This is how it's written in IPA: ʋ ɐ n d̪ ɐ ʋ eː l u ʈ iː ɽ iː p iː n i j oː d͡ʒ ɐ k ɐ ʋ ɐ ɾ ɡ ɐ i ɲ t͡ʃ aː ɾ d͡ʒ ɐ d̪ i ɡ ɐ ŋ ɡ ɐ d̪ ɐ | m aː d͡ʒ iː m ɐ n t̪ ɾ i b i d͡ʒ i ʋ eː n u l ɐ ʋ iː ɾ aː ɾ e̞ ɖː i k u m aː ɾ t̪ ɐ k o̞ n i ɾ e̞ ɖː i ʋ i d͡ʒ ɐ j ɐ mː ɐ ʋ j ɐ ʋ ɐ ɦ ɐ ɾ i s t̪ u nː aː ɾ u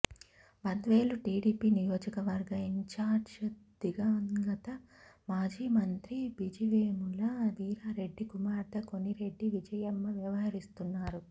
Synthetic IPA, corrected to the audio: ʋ ɐ n d̪ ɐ ʋ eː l u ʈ iː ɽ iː p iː n i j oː d͡ʒ ɐ k ɐ ʋ ɐ ɾ ɡ ɐ i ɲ t͡ʃ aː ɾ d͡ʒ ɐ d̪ i ɡ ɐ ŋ ɡ ɐ t̪ ɐ | m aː d͡ʒ iː m ɐ n t̪ ɾ i b i d͡ʒ i ʋ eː m u l ɐ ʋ iː ɾ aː ɾ e̞ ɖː i k u m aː ɾ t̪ ɐ k o̞ n i ɾ e̞ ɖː i ʋ i d͡ʒ ɐ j ɐ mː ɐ ʋ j ɐ ʋ ɐ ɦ ɐ ɾ i s t̪ u nː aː ɾ u